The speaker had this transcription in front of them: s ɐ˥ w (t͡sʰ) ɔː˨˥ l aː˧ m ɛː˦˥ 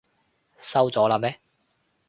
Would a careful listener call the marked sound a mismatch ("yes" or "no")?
yes